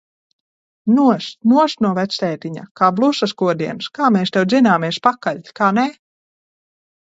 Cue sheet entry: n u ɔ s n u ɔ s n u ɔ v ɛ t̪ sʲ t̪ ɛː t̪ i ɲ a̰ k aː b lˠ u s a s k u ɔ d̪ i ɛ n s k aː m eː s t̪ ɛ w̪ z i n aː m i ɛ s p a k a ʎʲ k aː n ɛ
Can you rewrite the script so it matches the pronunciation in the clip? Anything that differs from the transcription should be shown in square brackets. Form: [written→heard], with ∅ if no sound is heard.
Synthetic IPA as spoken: n u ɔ s n u ɔ s n u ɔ v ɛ t̪ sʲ t̪ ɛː t̪ i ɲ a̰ k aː b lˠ u s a s k u ɔ d̪ i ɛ n s k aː m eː s t̪ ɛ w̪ z i n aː m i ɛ s p a k a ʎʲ k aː n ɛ

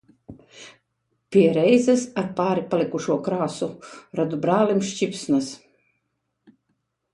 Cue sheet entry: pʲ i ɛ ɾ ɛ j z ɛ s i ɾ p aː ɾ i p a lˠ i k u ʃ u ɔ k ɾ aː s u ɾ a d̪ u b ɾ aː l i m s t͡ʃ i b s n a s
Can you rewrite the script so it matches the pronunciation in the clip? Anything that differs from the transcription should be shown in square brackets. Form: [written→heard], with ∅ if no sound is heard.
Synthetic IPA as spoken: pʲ i ɛ ɾ ɛ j z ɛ s [i→a] ɾ p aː ɾ i p a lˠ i k u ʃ u ɔ k ɾ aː s u ɾ a d̪ u b ɾ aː l i m [s→ʃ] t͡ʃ i [b→p] s n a s

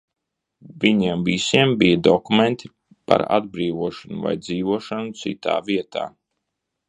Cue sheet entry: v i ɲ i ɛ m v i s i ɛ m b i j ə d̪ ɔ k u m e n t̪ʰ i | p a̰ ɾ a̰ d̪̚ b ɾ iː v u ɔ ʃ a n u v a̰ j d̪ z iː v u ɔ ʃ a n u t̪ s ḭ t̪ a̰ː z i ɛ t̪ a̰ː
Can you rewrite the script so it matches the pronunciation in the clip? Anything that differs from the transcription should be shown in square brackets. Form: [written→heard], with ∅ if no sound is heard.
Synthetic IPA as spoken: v i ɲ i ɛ m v i s i ɛ m b i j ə d̪ ɔ k u m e n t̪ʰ i | p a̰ ɾ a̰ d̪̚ b ɾ iː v u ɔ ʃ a n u v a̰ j d̪ z iː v u ɔ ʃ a n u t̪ s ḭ t̪ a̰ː [z→v] i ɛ t̪ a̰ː

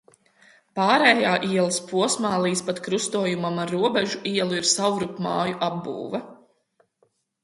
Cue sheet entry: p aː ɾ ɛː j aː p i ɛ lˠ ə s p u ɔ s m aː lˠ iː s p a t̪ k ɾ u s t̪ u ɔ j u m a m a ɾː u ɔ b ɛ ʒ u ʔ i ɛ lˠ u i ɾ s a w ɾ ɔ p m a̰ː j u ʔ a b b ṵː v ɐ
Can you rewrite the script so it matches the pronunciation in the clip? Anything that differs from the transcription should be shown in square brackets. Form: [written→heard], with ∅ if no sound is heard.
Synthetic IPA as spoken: p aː ɾ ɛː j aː [p→ʔ] i ɛ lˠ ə s p u ɔ s m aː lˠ iː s p a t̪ k ɾ u s t̪ u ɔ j u m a m a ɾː u ɔ b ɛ ʒ u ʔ i ɛ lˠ u i ɾ s a w ɾ [ɔ→u] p m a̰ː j u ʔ a b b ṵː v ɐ

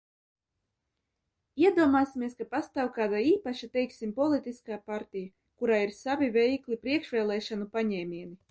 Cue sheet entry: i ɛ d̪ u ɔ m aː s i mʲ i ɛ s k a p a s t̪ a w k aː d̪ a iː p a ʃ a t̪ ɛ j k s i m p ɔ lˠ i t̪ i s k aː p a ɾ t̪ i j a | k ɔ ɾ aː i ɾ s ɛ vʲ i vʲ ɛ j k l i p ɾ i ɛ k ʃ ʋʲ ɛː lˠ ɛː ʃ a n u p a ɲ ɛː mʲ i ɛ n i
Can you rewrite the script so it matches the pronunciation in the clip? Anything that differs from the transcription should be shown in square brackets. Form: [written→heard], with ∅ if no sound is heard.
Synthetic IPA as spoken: i ɛ d̪ u ɔ m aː s i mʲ i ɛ s k a p a s t̪ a w k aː d̪ a iː p a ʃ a t̪ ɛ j k s i m p ɔ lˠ i t̪ i s k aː p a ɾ t̪ i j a | k [ɔ→u] ɾ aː i ɾ s [ɛ→a] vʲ i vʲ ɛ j k l i p ɾ i ɛ k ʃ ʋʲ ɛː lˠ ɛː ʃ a n u p a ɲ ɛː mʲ i ɛ n i

